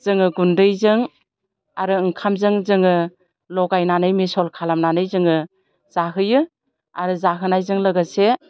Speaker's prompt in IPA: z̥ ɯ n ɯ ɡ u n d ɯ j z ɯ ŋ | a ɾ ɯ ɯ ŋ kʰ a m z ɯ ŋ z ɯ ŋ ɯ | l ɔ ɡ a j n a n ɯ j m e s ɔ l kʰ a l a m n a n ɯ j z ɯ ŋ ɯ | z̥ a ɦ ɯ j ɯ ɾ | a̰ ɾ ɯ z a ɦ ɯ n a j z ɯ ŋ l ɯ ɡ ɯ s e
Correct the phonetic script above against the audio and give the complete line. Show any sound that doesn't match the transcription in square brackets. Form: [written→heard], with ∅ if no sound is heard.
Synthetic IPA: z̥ ɯ [n→ŋ] ɯ ɡ u n d ɯ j z ɯ ŋ | a ɾ ɯ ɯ ŋ kʰ a m z ɯ ŋ z ɯ ŋ ɯ | l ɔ ɡ a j n a n ɯ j m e s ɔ l kʰ a l a m n a n ɯ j z ɯ ŋ ɯ | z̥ a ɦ ɯ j ɯ [ɾ→∅] | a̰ ɾ ɯ z a ɦ ɯ n a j z ɯ ŋ l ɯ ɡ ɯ s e